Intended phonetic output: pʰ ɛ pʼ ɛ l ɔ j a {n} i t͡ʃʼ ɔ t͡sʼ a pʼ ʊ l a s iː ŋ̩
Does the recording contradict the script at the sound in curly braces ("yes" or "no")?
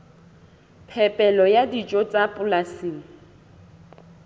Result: yes